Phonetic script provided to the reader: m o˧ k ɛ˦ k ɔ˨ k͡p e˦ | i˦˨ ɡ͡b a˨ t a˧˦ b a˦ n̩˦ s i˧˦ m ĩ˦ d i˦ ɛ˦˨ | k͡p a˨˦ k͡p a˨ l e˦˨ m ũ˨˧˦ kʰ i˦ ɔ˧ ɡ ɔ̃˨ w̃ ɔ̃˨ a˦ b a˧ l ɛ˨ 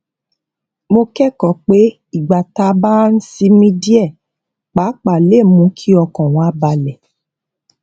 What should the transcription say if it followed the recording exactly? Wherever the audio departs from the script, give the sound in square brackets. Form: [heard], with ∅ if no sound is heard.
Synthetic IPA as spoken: m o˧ k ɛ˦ k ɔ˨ k͡p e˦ | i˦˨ ɡ͡b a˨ t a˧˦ b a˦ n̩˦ s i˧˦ m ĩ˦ d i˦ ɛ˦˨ | k͡p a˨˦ k͡p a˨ l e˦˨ m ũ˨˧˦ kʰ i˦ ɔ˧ [k] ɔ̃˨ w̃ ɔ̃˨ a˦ b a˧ l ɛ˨